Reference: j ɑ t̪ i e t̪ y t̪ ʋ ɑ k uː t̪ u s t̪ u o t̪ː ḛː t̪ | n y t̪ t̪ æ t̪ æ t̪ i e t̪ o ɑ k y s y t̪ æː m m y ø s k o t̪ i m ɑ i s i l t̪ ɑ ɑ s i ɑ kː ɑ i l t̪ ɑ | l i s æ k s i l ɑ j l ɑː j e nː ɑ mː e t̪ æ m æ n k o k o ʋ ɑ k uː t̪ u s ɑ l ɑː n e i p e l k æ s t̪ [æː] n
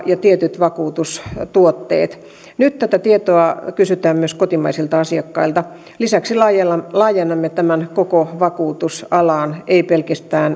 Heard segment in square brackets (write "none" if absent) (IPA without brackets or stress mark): æː